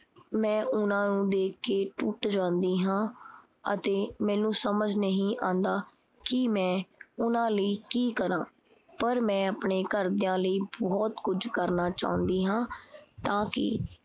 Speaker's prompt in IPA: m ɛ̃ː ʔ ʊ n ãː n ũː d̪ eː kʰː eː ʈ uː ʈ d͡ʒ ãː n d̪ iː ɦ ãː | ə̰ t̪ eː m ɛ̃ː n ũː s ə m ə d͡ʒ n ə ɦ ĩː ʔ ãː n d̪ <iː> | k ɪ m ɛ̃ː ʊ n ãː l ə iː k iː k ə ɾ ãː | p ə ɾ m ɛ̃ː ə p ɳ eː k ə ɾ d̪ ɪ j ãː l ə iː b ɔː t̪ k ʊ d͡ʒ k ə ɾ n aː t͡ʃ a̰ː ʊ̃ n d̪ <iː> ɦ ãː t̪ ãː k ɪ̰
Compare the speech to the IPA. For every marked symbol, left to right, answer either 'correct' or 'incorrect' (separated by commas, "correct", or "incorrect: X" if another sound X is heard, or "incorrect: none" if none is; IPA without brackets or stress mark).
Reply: incorrect: aː, correct